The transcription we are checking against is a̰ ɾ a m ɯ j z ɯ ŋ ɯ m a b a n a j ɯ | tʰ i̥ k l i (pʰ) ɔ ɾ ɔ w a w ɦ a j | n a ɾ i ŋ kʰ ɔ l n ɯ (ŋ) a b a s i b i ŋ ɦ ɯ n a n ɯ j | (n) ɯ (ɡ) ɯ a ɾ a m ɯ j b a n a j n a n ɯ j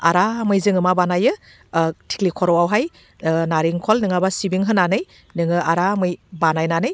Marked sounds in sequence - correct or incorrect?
incorrect: kʰ, correct, correct, incorrect: ŋ

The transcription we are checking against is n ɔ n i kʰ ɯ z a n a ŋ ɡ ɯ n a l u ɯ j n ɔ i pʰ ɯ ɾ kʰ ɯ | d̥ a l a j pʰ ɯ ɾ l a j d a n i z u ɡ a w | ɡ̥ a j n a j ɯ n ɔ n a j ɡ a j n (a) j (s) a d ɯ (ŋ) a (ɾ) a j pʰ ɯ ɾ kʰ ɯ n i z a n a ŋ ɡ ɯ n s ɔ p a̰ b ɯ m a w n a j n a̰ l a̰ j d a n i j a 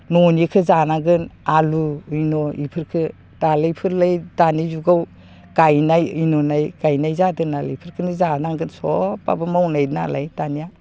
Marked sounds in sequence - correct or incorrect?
correct, incorrect: z, incorrect: n, incorrect: l

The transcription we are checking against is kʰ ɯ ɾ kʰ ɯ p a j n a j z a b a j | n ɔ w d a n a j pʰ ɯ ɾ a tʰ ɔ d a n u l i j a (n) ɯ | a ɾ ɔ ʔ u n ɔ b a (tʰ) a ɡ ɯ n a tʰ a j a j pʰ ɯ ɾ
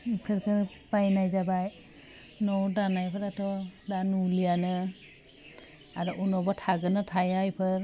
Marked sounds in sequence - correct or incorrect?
correct, correct

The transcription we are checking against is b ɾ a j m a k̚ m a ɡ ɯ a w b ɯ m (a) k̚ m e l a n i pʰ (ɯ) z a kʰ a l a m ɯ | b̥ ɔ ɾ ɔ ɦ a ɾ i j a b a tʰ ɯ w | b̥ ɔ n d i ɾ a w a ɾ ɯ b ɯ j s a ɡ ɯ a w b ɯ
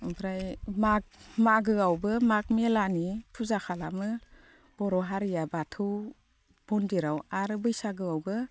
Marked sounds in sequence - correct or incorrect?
correct, incorrect: u

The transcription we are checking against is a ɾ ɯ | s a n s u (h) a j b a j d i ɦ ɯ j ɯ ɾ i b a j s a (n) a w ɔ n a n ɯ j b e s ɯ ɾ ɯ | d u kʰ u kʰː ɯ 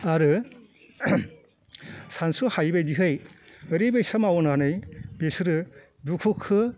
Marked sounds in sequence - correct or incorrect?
correct, incorrect: m

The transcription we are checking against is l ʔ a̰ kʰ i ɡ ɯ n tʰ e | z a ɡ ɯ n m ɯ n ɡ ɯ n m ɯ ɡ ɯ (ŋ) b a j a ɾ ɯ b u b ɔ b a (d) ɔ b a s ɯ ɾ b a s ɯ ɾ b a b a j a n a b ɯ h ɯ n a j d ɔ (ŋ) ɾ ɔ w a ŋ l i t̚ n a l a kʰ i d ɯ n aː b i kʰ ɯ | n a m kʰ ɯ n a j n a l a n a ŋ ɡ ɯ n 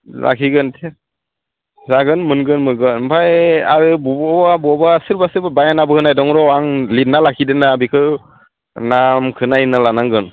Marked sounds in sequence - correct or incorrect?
incorrect: n, incorrect: b, correct

